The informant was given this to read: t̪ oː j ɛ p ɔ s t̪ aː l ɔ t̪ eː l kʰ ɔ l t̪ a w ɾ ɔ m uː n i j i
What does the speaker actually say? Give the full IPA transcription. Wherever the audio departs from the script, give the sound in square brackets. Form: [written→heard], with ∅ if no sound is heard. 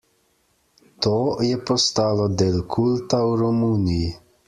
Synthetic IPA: t̪ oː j ɛ p ɔ s t̪ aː l ɔ [t̪→d̪] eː l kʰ [ɔ→u] l t̪ a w ɾ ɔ m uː n i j i